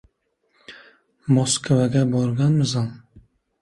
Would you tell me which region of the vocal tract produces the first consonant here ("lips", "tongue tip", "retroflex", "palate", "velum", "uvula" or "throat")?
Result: lips